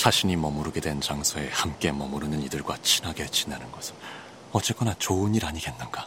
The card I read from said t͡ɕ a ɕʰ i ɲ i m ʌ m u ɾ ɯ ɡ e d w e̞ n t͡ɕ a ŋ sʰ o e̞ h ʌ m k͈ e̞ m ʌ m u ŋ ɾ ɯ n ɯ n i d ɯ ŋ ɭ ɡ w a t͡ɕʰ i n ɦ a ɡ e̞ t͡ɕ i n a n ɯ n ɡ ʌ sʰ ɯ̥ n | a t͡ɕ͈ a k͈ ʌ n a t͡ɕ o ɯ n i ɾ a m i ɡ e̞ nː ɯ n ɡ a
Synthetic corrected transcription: t͡ɕ a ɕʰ i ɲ i m ʌ m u ɾ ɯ ɡ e d w e̞ n t͡ɕ a ŋ sʰ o e̞ h a m k͈ e̞ m ʌ m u ɾ ɯ n ɯ n i d ɯ ɭ ɡ w a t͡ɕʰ i n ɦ a ɡ e̞ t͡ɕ i n a n ɯ n ɡ ʌ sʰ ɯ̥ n | ʌ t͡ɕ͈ e k͈ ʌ n a t͡ɕ o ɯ n i ɾ a ɲ i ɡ e̞ nː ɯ n ɡ a